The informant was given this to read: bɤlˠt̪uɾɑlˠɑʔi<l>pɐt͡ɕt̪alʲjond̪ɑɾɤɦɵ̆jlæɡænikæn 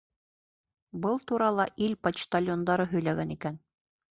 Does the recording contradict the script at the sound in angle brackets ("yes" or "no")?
no